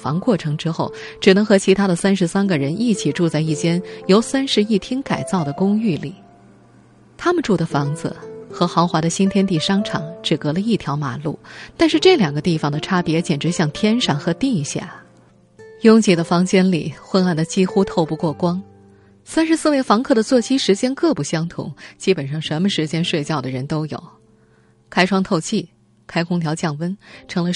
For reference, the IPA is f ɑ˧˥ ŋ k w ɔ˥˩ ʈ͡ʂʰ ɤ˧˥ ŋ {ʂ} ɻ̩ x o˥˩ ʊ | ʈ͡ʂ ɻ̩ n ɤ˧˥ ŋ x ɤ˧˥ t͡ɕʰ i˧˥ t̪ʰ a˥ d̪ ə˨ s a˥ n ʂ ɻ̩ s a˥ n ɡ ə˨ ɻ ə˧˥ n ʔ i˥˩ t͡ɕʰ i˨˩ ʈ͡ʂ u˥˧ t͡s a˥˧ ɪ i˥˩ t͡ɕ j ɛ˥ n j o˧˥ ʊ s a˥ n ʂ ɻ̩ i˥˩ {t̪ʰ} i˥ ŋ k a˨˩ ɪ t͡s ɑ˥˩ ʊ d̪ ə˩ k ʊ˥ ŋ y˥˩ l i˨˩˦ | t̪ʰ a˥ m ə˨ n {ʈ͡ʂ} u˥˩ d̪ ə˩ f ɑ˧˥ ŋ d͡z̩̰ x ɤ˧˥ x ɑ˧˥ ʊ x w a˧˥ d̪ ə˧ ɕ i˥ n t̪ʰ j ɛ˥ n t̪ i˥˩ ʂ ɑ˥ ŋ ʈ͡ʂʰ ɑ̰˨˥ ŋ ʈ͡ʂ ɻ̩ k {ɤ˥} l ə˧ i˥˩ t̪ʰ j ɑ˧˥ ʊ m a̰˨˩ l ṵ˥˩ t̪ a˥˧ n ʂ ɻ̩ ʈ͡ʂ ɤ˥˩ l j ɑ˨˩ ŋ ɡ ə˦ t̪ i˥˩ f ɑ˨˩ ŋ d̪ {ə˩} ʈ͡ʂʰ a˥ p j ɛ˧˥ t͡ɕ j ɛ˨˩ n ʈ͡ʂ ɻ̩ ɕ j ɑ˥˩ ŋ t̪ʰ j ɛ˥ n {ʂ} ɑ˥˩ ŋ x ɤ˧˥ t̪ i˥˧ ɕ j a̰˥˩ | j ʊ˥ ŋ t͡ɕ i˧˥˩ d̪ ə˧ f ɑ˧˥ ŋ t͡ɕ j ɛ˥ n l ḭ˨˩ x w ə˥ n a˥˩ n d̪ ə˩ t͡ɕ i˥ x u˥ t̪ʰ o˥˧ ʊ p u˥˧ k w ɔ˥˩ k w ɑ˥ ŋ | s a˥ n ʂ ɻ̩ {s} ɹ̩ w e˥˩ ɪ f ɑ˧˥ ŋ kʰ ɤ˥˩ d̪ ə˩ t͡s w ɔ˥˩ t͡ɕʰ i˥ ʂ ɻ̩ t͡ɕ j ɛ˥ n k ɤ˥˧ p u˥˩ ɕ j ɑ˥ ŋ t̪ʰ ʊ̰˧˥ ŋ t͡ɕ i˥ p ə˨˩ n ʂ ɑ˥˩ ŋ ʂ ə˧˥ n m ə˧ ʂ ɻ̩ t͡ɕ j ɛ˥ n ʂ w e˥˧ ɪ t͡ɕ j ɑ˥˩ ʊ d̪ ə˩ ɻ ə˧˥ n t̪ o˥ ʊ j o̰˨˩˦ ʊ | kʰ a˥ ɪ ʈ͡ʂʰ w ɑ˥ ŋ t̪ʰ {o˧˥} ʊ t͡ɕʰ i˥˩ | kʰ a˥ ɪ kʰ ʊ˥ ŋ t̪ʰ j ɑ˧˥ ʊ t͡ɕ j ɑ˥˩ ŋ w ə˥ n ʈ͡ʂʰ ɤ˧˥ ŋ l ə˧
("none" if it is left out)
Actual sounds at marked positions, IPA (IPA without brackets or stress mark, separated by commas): ʈ͡ʂ, t̪ʰ, ʈ͡ʂ, ɤ˧˥, ə˩, ʂ, s, o˥˧